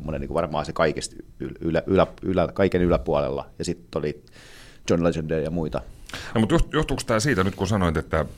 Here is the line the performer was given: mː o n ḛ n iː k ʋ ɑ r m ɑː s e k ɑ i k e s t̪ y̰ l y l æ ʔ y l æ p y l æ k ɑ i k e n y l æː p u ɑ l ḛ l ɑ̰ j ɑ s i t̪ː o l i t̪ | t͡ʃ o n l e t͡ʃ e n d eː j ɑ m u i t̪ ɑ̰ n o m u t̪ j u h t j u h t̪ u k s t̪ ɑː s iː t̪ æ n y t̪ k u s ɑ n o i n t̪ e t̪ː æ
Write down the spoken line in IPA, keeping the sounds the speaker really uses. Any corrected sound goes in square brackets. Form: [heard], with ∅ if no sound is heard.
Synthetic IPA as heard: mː o n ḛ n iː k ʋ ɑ r m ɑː s e k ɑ i k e s t̪ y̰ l y l æ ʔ y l æ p y l æ k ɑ i k e n y l [æ] p u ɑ l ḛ [lː] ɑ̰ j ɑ s i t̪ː o l i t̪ | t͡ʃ o n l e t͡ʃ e n d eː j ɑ m u i t̪ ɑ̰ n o m u t̪ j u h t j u h t̪ u k s t̪ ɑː s iː t̪ æ n y t̪ k u s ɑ n o i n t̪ e t̪ː æ